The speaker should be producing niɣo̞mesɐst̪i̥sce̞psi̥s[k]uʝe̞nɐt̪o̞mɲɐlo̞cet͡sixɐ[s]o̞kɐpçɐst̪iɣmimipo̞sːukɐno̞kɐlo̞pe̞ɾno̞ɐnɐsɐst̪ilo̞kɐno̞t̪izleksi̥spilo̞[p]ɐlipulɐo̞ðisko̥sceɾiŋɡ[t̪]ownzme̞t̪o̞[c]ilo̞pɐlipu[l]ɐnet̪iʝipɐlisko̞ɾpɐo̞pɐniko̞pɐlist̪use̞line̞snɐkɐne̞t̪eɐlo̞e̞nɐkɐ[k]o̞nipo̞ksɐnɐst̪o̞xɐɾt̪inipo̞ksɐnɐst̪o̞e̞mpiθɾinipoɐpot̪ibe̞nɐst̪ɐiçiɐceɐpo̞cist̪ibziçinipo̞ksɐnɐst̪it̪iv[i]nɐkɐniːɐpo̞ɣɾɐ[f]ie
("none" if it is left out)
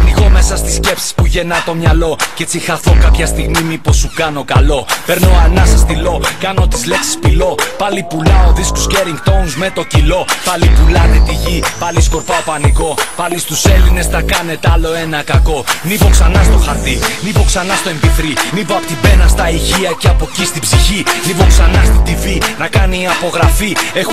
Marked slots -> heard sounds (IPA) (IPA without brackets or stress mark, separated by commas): p, θ, p, t̪, c, l, k, i, f